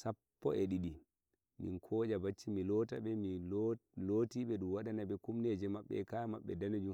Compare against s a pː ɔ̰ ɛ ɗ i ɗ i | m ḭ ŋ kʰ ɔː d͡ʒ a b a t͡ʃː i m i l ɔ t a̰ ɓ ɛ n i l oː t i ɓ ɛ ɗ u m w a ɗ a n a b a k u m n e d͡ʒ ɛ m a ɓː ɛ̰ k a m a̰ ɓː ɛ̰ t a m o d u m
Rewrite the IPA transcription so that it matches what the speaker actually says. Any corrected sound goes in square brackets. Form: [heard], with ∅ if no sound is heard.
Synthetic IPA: s a pː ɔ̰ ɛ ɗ i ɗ i | m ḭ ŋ kʰ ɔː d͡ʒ a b a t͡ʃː i m i l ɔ t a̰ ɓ ɛ [m] i l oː t i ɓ ɛ ɗ u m w a ɗ a n a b [ɛ] k u m n e d͡ʒ ɛ m a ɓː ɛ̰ k a m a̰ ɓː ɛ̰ [d] a [n] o [d͡ʒ] u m